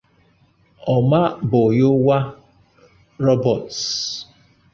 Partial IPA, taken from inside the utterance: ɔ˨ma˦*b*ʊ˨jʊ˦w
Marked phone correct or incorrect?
correct